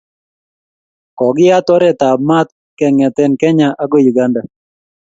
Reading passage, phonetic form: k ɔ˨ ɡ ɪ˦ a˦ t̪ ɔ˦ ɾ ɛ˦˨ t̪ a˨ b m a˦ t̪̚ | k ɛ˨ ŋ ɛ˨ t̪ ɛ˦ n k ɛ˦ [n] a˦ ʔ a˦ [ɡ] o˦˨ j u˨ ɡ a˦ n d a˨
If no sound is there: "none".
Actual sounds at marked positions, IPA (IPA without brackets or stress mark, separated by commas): ɲ, ɡ